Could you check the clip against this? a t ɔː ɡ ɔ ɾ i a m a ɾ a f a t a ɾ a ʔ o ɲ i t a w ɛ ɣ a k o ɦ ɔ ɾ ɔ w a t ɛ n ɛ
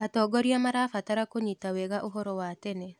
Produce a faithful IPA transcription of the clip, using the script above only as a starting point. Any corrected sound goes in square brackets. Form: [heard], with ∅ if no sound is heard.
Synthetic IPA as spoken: a t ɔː ɡ ɔ ɾ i a m a ɾ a f a t a ɾ a [k] o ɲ i t a w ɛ ɣ a [ʔ] o ɦ ɔ ɾ ɔ w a t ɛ n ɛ